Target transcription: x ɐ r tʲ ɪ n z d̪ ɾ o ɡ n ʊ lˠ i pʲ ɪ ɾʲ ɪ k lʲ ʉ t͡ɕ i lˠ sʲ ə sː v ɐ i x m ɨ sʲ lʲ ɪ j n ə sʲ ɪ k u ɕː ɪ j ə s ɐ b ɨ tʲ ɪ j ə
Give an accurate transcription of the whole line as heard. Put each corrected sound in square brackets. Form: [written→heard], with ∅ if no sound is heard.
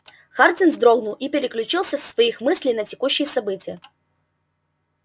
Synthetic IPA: x [ɐ→a] r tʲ ɪ n z d̪ ɾ o ɡ n ʊ lˠ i pʲ ɪ ɾʲ ɪ k lʲ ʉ t͡ɕ i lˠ sʲ ə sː v ɐ i x m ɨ sʲ lʲ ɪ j n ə [sʲ→tʲ] ɪ k u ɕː ɪ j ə s ɐ b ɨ tʲ ɪ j ə